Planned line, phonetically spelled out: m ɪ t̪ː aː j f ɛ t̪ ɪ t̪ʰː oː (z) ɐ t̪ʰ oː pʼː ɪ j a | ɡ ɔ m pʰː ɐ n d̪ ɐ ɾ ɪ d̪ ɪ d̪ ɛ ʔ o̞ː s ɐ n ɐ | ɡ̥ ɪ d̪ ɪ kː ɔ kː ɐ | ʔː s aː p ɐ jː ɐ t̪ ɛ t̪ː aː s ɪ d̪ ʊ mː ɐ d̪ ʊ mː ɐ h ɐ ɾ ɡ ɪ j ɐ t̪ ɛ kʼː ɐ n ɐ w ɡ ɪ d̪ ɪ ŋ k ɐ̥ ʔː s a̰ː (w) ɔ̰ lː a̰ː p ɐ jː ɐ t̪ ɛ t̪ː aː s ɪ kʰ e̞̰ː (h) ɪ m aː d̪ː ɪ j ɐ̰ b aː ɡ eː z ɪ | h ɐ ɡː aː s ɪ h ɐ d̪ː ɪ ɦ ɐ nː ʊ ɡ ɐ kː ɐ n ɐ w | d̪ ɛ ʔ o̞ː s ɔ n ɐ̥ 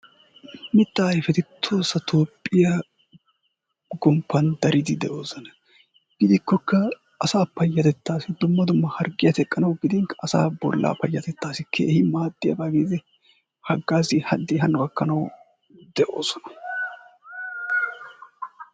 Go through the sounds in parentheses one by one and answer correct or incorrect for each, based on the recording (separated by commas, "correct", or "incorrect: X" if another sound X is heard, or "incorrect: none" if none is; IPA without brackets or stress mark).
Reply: incorrect: s, incorrect: b, correct